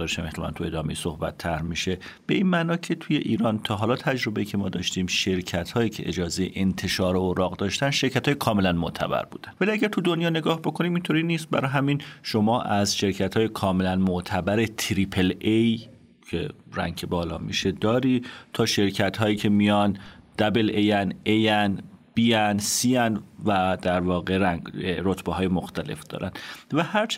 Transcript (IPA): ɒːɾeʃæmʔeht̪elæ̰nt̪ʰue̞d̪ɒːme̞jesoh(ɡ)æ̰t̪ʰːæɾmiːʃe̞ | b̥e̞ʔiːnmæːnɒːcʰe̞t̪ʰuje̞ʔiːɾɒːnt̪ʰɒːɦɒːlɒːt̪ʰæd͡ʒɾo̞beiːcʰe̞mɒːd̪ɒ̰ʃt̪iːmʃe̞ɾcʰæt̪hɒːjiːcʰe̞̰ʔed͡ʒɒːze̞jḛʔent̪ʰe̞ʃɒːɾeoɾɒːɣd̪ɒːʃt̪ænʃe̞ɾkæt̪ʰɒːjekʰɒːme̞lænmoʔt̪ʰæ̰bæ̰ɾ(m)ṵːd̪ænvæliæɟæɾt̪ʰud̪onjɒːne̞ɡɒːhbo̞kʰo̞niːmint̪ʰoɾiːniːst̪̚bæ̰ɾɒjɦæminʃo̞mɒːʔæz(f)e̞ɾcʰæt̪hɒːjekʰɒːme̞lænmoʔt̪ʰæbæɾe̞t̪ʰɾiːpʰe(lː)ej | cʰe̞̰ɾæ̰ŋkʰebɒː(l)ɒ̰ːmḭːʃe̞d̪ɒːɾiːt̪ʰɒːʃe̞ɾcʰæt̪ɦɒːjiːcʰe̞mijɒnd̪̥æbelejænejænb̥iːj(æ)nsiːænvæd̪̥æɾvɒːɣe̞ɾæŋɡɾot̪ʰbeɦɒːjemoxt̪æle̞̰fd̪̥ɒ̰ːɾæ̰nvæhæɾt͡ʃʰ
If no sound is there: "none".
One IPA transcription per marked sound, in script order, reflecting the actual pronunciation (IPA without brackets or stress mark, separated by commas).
b, b, ʃ, l, l, æ